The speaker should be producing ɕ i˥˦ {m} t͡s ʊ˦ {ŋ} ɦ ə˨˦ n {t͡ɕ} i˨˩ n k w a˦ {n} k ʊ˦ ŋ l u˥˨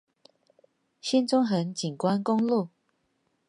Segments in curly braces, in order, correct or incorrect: incorrect: n, correct, correct, correct

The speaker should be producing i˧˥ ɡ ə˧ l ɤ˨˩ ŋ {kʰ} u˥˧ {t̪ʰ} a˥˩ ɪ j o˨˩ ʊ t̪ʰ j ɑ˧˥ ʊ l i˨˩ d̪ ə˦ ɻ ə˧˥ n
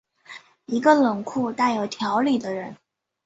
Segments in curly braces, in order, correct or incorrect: correct, incorrect: t̪

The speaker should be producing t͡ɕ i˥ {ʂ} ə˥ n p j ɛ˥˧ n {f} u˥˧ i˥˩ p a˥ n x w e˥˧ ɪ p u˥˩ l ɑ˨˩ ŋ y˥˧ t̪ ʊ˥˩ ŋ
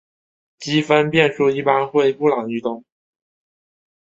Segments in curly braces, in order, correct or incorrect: incorrect: f, incorrect: ʂ

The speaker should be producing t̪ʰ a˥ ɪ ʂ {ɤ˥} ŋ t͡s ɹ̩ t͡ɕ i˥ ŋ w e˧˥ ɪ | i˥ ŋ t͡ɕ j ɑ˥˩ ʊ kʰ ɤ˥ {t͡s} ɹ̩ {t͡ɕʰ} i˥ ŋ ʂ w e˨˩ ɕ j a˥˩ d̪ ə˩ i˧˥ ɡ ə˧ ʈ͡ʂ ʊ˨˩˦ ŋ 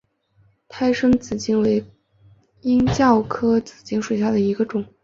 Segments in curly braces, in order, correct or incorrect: correct, correct, incorrect: t͡ɕ

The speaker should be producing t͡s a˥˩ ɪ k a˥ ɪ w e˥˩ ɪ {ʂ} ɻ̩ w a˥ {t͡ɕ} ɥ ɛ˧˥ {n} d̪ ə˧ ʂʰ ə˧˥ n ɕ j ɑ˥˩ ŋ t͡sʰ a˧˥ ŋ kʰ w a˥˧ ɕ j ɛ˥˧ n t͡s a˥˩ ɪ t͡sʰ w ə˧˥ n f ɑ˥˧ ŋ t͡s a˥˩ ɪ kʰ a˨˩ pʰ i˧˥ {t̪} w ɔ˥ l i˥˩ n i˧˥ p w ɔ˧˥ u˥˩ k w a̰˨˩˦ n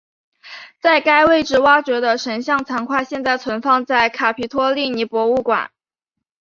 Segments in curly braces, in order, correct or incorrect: incorrect: ʈ͡ʂ, correct, incorrect: none, incorrect: t̪ʰ

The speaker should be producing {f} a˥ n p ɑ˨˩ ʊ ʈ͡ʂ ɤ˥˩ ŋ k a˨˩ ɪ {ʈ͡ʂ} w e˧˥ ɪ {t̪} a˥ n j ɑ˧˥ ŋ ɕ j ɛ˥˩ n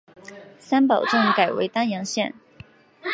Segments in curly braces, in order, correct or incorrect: incorrect: s, incorrect: none, correct

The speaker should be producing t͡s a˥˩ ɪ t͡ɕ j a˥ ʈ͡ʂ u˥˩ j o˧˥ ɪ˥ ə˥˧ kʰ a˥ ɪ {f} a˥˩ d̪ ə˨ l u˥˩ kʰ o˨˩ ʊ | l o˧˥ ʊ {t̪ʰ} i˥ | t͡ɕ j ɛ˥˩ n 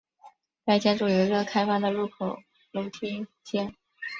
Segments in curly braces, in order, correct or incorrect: correct, correct

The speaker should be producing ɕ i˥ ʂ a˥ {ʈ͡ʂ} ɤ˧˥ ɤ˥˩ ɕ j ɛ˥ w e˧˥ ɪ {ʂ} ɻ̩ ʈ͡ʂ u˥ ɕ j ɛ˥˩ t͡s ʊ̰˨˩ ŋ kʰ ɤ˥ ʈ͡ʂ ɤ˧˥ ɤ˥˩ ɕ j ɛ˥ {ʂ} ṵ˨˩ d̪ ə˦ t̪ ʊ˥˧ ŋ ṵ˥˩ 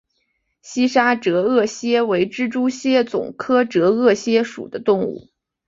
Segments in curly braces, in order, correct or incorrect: correct, incorrect: ʈ͡ʂ, correct

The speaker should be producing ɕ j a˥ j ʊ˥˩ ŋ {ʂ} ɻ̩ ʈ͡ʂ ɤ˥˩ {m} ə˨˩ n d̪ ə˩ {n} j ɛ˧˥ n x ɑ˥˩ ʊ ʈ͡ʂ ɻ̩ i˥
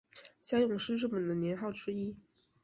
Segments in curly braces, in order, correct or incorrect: correct, correct, correct

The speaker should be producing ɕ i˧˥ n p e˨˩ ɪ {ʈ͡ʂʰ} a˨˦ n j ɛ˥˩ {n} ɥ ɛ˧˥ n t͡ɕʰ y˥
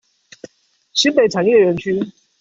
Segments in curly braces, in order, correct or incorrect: correct, incorrect: none

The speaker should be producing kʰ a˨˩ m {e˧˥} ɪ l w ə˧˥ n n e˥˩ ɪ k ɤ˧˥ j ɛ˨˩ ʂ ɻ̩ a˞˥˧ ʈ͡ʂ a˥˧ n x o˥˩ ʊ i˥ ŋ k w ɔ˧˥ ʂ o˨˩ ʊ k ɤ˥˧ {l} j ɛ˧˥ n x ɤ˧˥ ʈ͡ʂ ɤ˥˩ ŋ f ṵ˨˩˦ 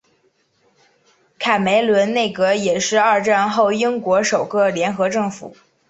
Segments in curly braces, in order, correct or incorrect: correct, correct

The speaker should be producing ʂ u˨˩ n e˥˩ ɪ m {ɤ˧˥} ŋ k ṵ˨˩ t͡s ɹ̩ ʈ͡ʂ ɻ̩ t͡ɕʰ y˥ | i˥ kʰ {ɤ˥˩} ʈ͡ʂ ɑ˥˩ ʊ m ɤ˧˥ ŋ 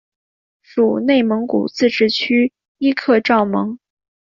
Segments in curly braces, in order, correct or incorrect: correct, incorrect: ɤ˥˧

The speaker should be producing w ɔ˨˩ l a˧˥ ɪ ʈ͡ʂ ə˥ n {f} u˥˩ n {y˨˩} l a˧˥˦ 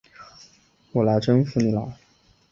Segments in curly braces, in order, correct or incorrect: correct, incorrect: i˨˩

